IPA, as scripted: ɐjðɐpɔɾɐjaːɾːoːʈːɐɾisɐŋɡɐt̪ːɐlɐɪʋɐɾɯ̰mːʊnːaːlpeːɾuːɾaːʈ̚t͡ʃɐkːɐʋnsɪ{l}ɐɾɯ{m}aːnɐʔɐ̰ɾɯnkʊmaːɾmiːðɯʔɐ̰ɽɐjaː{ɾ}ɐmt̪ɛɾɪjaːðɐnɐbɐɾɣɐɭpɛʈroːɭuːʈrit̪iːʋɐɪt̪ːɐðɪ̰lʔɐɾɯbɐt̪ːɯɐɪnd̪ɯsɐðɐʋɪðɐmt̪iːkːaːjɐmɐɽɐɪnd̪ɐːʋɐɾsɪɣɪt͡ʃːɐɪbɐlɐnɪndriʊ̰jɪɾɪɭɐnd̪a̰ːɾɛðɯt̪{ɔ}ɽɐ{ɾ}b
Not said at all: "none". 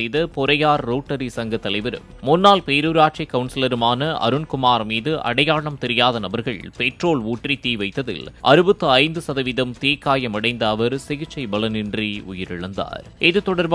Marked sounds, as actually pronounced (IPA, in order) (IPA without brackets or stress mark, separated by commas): l, m, ɭ, ɔ, ɾ